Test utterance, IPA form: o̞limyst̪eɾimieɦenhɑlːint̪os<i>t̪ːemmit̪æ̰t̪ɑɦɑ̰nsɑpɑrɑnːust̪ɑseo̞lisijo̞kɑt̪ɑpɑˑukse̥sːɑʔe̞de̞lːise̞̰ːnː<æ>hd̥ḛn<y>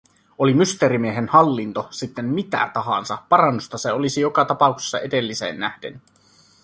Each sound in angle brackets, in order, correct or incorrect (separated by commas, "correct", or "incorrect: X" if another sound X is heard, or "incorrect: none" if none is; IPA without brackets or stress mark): correct, correct, correct